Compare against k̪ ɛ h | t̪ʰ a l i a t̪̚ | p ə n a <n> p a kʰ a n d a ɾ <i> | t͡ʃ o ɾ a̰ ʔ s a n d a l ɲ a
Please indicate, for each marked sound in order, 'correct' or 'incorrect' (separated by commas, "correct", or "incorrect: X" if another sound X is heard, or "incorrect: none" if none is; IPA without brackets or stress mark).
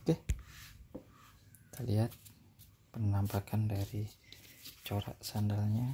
incorrect: m, correct